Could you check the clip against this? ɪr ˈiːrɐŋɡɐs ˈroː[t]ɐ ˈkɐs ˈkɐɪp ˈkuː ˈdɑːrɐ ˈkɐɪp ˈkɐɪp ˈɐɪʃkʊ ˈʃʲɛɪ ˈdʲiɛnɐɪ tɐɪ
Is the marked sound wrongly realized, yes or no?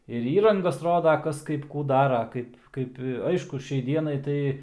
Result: yes